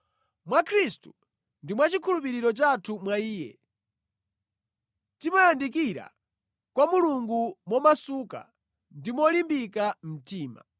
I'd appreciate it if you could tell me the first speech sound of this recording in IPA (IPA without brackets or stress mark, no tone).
m